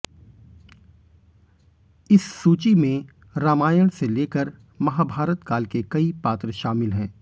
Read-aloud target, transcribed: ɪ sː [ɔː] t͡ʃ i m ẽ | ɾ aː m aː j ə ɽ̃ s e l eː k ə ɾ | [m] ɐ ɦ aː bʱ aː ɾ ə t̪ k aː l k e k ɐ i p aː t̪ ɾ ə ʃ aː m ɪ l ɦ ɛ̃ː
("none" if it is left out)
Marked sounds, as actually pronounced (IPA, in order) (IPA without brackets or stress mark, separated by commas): uː, m